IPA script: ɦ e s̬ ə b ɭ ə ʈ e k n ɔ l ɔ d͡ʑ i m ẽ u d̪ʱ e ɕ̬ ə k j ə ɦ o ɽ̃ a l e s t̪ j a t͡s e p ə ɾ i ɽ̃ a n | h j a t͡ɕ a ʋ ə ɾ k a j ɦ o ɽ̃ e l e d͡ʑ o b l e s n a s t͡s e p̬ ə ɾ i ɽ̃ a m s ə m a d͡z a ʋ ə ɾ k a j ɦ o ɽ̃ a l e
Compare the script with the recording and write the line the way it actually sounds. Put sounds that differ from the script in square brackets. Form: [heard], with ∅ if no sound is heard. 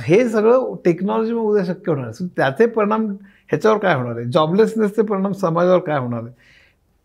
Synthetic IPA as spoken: ɦ e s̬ ə [ɡ] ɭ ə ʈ e k n ɔ l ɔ d͡ʑ i m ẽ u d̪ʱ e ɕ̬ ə k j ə ɦ o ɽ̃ a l e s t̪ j a t͡s e p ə ɾ i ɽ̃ a [m] | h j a t͡ɕ a ʋ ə ɾ k a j ɦ o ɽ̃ [a] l e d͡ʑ [ɔ] b l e s n [e] s t͡s e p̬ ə ɾ i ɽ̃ a m s ə m a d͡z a ʋ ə ɾ k a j ɦ o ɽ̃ a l e